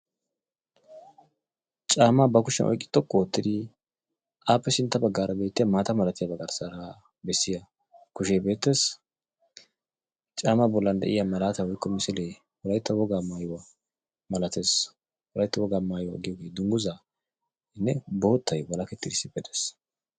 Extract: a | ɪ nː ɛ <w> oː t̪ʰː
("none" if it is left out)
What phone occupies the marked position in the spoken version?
b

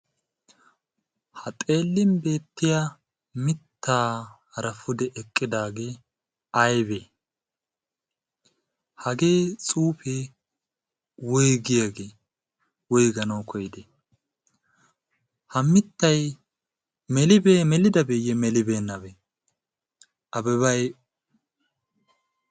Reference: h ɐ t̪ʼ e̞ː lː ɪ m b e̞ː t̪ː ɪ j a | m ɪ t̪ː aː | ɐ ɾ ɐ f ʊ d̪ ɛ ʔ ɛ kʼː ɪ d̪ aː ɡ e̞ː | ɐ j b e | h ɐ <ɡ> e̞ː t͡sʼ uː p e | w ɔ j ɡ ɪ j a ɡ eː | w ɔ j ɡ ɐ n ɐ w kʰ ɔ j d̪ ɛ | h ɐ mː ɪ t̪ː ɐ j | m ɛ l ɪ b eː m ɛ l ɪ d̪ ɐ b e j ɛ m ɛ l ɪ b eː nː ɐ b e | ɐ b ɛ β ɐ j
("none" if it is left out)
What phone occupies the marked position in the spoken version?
ɡ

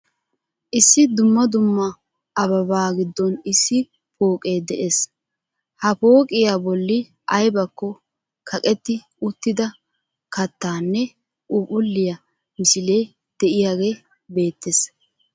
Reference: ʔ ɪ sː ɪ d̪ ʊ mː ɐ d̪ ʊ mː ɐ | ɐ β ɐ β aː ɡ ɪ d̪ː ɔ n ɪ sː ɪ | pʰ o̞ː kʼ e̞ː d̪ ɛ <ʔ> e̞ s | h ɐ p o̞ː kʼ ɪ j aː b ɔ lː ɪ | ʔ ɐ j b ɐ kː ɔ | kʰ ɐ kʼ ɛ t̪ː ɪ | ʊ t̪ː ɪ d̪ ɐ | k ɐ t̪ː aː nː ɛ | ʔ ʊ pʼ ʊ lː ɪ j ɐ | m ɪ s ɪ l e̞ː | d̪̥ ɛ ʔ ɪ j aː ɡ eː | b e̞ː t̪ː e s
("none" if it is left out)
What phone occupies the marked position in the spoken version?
ʔ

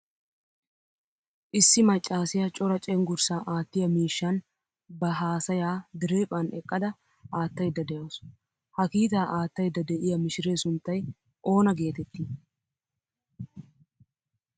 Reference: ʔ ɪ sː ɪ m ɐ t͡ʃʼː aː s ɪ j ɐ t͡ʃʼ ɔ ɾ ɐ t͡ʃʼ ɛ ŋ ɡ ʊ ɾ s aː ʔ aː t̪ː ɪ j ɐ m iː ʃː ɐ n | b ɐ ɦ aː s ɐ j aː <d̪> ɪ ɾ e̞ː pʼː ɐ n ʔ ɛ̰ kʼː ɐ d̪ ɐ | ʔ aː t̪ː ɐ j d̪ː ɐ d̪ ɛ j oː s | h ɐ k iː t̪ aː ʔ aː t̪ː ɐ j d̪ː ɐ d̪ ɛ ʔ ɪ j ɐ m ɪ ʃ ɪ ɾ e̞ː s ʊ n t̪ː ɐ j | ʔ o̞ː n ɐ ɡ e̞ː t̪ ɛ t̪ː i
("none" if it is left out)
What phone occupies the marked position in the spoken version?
d̪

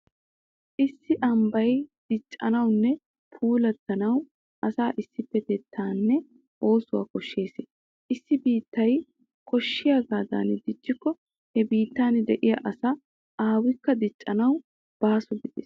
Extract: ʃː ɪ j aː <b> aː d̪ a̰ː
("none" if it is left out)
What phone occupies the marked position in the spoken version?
ɡ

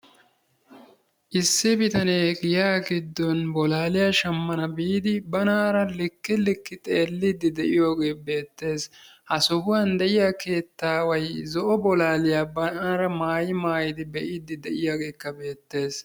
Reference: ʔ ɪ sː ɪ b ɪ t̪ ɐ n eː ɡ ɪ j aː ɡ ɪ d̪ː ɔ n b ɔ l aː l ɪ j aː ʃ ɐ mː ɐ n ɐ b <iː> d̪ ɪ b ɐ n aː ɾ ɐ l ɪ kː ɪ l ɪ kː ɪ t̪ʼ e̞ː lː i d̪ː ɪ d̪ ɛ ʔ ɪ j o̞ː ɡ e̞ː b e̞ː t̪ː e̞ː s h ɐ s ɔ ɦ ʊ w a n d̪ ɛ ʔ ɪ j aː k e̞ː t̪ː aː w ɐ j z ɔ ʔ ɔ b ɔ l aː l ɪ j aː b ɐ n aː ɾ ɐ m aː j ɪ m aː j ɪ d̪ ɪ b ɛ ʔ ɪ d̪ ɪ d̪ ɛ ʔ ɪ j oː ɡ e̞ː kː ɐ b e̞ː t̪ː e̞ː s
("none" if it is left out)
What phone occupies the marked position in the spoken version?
iː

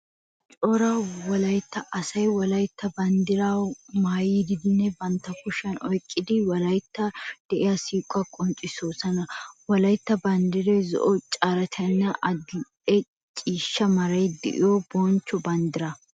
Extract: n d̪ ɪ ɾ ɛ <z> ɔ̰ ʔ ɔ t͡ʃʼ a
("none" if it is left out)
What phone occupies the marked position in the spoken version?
z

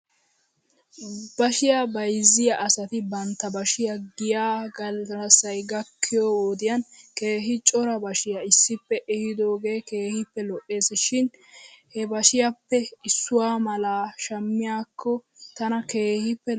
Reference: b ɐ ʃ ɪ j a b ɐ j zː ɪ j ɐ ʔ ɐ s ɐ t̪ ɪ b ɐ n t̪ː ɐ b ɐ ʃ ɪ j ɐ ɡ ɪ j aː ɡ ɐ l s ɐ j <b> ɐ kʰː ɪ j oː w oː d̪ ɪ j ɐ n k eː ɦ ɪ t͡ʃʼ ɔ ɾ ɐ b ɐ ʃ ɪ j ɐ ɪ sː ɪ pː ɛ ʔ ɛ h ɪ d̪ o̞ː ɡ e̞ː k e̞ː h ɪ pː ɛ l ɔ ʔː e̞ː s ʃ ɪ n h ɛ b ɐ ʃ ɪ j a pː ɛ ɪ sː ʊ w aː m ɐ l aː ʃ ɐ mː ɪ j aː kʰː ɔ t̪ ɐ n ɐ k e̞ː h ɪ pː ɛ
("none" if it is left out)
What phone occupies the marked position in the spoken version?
ɡ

